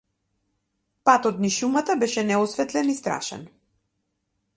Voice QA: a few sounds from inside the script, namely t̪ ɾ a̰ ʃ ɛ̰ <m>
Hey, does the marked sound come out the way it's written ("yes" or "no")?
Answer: no